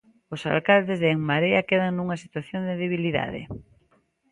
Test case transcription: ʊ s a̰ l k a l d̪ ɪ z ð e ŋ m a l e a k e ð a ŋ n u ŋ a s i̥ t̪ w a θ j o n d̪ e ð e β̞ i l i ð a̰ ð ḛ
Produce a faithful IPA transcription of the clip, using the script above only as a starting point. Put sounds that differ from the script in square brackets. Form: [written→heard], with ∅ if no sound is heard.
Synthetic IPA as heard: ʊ s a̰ l k a l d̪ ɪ z ð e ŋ m a [l→ɾ] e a k e ð a ŋ n u ŋ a s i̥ t̪ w a θ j o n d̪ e ð e β̞ i l i ð a̰ ð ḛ